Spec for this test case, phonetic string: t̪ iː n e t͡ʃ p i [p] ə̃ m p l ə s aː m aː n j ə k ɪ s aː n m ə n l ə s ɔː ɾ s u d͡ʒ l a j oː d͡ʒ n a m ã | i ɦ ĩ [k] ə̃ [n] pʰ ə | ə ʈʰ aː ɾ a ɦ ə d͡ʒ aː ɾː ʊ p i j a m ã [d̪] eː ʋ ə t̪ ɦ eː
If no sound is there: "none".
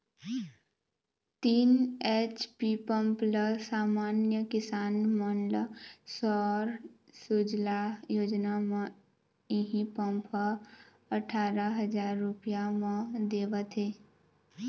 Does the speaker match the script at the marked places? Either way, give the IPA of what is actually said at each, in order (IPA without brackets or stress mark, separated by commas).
p, p, m, d̪